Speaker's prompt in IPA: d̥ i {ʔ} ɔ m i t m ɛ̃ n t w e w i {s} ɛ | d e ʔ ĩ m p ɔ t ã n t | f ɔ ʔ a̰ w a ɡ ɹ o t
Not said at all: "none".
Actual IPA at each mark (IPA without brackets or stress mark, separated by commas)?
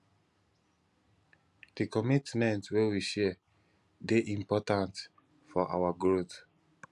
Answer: k, ʃ